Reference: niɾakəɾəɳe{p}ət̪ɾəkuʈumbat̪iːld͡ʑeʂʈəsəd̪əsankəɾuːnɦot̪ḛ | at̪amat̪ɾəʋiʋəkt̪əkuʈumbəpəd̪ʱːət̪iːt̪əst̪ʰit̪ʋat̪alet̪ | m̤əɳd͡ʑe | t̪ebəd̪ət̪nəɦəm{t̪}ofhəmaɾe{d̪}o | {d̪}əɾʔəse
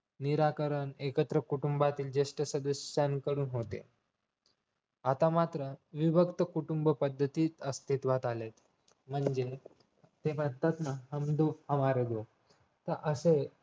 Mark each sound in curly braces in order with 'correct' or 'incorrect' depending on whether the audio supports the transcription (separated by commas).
incorrect, incorrect, correct, incorrect